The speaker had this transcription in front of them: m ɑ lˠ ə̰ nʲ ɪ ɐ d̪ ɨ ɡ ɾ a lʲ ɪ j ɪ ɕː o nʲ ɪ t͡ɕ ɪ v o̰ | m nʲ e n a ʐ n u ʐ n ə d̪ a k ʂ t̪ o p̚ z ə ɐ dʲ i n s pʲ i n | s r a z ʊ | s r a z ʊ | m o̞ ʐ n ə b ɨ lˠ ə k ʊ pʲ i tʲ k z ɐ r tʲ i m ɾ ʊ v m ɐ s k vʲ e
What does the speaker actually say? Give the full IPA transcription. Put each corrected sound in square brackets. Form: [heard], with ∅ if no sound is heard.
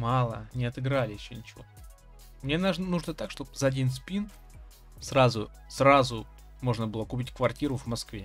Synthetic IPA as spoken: m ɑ lˠ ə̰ nʲ ɪ ɐ [t̪] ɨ ɡ ɾ a lʲ ɪ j ɪ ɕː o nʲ ɪ t͡ɕ ɪ v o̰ | m nʲ e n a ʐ n u ʐ n ə [t̪] a k ʂ t̪ o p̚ z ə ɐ dʲ i n s pʲ i n | s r a z ʊ | s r a z ʊ | m o̞ ʐ n ə b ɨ lˠ ə k ʊ pʲ i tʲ k [v] ɐ r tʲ i [∅] ɾ ʊ v m ɐ s k vʲ e

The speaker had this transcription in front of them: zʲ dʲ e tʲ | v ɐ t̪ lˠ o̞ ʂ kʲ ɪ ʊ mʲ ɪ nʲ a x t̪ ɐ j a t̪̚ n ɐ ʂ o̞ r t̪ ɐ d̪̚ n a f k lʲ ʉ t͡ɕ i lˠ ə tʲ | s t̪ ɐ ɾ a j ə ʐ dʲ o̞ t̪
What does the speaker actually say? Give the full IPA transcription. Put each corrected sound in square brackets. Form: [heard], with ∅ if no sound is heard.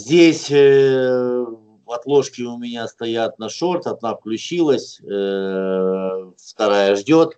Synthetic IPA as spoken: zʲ dʲ e [sʲ] | v ɐ t̪ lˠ o̞ ʂ kʲ ɪ ʊ mʲ ɪ nʲ a [s] t̪ ɐ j a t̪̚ n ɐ ʂ o̞ r t̪ ɐ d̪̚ n a f k lʲ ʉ t͡ɕ i lˠ ə [sʲ] | [f] t̪ ɐ ɾ a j ə ʐ dʲ o̞ t̪

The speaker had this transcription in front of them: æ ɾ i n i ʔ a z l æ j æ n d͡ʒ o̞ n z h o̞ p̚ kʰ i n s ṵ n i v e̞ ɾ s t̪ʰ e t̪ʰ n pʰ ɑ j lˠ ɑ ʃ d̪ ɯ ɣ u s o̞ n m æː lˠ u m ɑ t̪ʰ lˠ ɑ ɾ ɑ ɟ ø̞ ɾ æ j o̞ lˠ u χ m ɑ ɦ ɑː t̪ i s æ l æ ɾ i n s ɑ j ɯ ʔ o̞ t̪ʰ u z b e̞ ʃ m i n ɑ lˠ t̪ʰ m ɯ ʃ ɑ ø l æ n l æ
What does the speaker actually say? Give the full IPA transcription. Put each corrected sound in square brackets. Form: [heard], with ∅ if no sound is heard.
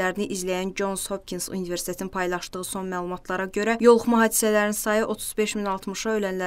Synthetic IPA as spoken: æ ɾ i n i ʔ [i] z l æ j æ n d͡ʒ o̞ n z h o̞ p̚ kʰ i n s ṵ n i v e̞ ɾ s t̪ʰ e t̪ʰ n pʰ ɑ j lˠ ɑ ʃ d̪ ɯ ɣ [ɯ] s o̞ n m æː lˠ u m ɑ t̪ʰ lˠ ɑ ɾ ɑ ɟ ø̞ ɾ æ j o̞ lˠ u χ m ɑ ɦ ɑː [d̪] i s æ l æ ɾ i n s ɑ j ɯ ʔ o̞ t̪ʰ u z b e̞ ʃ m i n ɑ lˠ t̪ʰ m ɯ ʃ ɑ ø l æ n l æ

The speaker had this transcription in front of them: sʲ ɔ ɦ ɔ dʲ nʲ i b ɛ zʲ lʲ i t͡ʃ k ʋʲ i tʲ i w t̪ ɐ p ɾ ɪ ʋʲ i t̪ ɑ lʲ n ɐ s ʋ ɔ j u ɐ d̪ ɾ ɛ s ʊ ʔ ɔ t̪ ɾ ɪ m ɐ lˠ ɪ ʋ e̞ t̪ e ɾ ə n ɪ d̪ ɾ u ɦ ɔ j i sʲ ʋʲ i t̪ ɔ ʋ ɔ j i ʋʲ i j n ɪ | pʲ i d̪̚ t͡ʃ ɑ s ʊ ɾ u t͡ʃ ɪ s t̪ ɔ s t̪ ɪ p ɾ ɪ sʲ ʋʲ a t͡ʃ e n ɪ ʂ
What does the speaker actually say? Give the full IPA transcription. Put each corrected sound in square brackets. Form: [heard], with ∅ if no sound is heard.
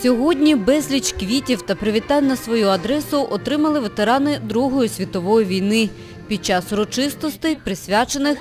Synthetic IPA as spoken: sʲ ɔ ɦ ɔ dʲ nʲ i b ɛ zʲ lʲ i t͡ʃ k ʋʲ i tʲ i w t̪ ɐ p ɾ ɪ ʋʲ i t̪ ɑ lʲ n ɐ s ʋ ɔ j u ɐ d̪ ɾ ɛ s ʊ ʔ ɔ t̪ ɾ ɪ m ɐ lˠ ɪ ʋ e̞ t̪ e ɾ [ɑ] n ɪ d̪ ɾ u ɦ ɔ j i sʲ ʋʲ i t̪ ɔ ʋ ɔ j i ʋʲ i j n ɪ | pʲ i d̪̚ t͡ʃ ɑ s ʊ ɾ [ɔ] t͡ʃ ɪ s t̪ ɔ s t̪ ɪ p ɾ ɪ sʲ ʋʲ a t͡ʃ e n ɪ [x]

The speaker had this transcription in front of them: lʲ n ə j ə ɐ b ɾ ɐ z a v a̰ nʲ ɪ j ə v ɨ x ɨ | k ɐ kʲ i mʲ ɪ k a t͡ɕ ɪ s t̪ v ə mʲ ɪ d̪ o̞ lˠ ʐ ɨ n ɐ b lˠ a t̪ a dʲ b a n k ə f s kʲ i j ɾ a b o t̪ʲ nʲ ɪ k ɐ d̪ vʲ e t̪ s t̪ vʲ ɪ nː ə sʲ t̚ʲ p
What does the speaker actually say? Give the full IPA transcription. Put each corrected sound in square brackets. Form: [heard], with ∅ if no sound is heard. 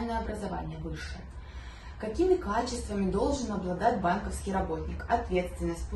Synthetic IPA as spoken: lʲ n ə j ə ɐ b ɾ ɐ z a v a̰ nʲ ɪ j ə v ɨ [ʂ] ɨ | k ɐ kʲ i mʲ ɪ k a t͡ɕ ɪ s t̪ v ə mʲ ɪ d̪ o̞ lˠ ʐ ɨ n ɐ b lˠ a [d̪] a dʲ b a n k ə f s kʲ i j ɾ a b o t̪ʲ nʲ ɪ k ɐ [t̪] vʲ e t̪ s t̪ vʲ ɪ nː ə sʲ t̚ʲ p

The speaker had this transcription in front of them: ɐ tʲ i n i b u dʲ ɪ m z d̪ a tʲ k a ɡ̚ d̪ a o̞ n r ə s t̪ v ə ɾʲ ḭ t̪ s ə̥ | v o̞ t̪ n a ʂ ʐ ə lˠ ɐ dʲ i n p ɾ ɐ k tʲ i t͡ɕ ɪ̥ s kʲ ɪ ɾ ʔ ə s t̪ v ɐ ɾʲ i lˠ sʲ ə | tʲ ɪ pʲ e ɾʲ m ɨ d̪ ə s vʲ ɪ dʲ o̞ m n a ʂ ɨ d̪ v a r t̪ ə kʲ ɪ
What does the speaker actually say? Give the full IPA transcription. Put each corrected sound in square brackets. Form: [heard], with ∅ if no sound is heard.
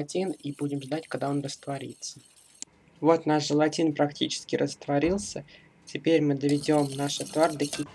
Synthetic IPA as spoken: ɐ tʲ i n i b u dʲ ɪ m [ʐ] d̪ a tʲ k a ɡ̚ d̪ a o̞ n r ə s t̪ v [ɐ] ɾʲ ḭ t̪ s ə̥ | v o̞ t̪ n a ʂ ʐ ə lˠ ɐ [tʲ] i n p ɾ ɐ k tʲ i t͡ɕ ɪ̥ s kʲ ɪ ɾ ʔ ə s t̪ v ɐ ɾʲ i lˠ sʲ ə | tʲ ɪ pʲ e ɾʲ m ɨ d̪ ə [∅] vʲ ɪ dʲ o̞ m n a ʂ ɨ [t̪] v a r [d̪] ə kʲ ɪ

